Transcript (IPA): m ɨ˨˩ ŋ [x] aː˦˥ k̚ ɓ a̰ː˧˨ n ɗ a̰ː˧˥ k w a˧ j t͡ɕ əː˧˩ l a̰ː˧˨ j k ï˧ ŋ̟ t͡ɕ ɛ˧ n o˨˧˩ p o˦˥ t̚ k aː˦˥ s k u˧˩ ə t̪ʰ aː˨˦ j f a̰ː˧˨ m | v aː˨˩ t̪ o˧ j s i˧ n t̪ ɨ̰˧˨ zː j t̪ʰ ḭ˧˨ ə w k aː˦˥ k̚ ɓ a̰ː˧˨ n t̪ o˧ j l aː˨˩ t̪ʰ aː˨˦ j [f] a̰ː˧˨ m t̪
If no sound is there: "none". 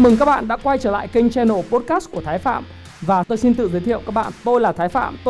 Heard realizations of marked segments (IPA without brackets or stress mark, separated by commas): k, f